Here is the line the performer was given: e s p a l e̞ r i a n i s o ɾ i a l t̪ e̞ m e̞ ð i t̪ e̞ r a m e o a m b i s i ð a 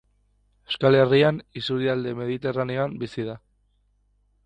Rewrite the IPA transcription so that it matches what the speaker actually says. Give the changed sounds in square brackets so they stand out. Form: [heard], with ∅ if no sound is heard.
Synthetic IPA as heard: e s [k] a l e̞ r i a n i s [u] ɾ i a l [d̪] e̞ m e̞ ð i t̪ e̞ r a [n] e o a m b i s i ð a